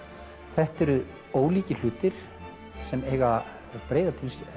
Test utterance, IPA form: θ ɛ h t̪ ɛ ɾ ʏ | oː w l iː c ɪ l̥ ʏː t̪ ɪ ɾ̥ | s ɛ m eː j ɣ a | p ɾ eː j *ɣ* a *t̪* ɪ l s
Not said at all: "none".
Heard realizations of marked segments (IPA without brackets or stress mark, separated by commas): ð, t̪ʰ